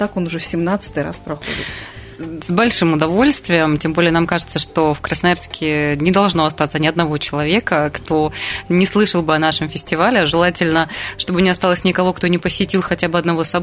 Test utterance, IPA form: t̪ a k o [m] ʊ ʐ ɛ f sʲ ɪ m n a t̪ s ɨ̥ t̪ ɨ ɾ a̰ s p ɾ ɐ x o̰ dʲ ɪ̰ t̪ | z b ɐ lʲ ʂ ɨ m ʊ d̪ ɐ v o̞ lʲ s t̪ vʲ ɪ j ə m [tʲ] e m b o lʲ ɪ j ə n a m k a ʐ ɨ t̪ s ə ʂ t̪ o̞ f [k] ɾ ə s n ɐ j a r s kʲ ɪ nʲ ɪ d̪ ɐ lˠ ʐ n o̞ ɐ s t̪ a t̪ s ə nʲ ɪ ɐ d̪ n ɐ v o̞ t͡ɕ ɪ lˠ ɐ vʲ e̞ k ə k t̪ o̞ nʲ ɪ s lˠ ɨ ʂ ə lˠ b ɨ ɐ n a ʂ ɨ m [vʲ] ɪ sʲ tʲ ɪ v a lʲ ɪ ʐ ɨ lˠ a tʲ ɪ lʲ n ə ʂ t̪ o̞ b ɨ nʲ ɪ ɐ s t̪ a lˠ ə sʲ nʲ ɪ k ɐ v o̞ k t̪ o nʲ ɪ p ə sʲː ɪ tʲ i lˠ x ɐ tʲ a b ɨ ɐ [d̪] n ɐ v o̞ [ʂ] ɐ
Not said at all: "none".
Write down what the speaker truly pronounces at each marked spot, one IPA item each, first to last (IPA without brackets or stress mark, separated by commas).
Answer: n, tʲ, k, fʲ, d̪, s